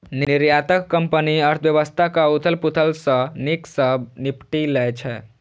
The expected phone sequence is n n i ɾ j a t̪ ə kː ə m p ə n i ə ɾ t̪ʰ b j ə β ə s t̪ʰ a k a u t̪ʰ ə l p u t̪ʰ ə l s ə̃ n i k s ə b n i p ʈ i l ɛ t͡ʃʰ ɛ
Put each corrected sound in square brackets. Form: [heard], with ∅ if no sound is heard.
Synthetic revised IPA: n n i ɾ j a t̪ ə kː ə m p ə n i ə ɾ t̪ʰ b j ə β ə s t̪ʰ a k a u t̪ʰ ə l p u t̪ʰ ə l s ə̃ n i k s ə b n i p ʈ i l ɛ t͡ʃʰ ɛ